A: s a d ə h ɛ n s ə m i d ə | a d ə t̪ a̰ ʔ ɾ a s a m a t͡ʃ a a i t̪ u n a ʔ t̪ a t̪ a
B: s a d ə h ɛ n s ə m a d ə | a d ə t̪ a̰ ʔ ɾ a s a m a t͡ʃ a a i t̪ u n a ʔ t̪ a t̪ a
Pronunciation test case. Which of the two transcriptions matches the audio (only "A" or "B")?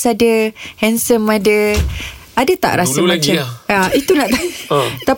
B